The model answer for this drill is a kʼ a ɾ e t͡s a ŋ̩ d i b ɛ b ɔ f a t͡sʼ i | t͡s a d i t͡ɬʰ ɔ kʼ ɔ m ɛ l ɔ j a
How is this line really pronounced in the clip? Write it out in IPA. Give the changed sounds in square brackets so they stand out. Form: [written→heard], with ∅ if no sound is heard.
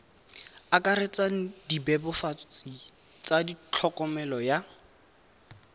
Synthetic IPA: a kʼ a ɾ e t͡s a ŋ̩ d i b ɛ b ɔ f a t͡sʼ i | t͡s a d i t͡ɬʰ ɔ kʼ ɔ m ɛ l ɔ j a